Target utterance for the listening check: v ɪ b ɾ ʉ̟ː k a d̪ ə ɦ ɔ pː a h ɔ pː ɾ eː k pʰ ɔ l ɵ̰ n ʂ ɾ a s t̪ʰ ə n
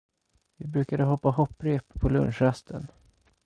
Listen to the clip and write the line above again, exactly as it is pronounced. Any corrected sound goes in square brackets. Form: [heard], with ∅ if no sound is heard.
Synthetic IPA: v ɪ b ɾ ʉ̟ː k a d̪ ə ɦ ɔ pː a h ɔ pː ɾ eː [p] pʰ ɔ l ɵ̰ n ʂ ɾ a s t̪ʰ ə n